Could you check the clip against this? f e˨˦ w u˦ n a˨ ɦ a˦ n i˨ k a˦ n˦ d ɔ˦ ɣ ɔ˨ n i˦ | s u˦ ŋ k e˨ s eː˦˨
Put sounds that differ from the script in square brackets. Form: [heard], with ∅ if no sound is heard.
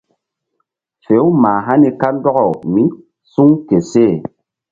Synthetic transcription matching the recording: f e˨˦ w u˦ [m] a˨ ɦ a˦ n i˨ k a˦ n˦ d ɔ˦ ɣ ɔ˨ [m] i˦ | s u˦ ŋ k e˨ s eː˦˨